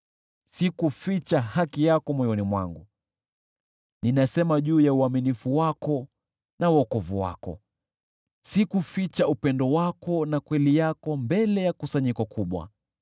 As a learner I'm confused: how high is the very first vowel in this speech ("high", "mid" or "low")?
high